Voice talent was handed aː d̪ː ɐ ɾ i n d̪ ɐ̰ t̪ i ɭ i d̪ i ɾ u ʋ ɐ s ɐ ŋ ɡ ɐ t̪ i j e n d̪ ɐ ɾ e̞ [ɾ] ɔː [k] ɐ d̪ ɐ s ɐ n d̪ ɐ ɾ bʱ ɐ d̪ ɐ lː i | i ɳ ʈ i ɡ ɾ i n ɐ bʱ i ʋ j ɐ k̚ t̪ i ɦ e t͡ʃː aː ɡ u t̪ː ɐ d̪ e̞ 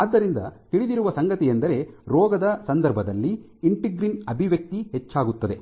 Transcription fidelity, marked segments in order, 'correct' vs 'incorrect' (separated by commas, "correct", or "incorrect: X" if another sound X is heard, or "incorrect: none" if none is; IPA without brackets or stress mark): correct, incorrect: ɡ